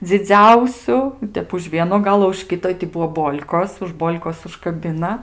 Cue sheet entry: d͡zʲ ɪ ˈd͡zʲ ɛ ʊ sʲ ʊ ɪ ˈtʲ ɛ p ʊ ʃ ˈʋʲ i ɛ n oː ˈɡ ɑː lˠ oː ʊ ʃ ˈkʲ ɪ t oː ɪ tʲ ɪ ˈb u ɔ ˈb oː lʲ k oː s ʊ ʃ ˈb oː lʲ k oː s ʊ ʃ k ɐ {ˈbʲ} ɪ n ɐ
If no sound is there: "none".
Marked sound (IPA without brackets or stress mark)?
bʲ